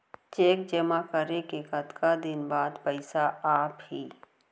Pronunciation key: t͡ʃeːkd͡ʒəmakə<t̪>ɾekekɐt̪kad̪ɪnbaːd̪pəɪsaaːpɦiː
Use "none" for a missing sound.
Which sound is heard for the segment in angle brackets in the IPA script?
none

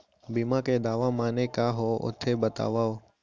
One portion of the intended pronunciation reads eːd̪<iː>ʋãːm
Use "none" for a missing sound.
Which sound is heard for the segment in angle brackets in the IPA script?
aː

